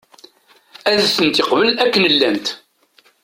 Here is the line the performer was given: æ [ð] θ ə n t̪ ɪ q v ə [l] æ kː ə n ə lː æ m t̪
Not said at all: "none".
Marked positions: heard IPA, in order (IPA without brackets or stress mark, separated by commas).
ð, l